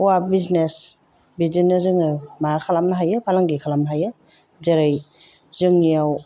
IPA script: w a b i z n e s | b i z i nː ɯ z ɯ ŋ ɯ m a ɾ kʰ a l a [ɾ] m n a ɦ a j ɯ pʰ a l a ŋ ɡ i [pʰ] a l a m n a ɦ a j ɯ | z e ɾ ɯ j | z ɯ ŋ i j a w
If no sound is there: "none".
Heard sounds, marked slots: none, kʰ

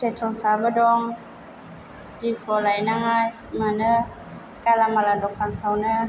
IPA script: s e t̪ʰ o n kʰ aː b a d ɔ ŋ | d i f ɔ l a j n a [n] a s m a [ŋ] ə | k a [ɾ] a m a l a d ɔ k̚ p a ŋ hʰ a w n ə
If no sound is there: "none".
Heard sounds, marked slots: ŋ, n, l

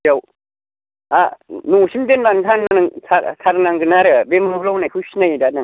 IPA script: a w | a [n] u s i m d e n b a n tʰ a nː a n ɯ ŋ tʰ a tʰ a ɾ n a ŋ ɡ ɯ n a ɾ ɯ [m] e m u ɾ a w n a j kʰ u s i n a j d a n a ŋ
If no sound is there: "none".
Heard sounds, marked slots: n, b

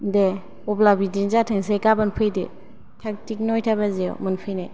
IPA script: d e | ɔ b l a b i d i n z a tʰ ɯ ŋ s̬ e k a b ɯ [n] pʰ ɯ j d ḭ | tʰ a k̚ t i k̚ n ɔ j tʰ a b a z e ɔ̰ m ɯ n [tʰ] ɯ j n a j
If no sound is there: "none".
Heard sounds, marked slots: n, pʰ

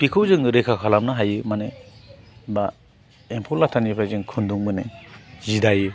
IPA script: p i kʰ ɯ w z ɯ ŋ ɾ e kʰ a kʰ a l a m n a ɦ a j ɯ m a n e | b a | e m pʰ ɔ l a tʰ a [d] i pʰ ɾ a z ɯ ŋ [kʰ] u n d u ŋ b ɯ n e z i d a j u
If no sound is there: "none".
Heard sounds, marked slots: n, kʰ

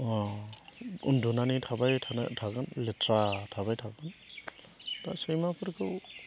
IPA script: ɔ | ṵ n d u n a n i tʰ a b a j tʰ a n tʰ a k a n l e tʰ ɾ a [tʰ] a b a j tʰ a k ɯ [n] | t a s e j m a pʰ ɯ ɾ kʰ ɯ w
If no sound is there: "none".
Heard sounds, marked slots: tʰ, n

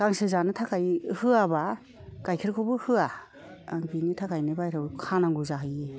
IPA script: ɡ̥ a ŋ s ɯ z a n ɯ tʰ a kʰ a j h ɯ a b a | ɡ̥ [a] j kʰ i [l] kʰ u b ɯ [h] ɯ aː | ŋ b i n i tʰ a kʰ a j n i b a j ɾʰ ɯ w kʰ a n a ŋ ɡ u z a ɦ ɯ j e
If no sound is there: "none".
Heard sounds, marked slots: a, ɾ, h

